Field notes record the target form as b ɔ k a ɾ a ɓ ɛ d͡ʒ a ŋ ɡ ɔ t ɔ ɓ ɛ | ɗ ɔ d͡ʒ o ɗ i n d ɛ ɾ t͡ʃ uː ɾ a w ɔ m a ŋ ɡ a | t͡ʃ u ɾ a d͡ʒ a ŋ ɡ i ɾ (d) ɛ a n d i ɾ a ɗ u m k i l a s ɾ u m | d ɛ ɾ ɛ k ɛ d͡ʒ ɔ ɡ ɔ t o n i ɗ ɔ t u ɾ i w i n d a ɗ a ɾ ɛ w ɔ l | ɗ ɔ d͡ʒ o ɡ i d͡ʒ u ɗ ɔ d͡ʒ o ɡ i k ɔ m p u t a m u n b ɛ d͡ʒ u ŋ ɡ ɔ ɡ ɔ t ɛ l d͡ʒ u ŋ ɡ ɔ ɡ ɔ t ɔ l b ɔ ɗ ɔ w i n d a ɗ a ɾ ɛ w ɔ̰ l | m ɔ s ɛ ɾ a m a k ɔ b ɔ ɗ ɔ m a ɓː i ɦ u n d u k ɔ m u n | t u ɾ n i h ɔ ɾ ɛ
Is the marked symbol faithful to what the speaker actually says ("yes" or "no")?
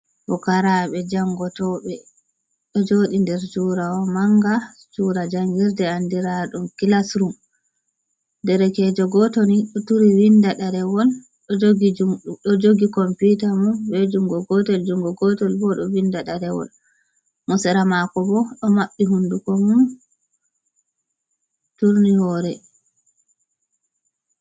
yes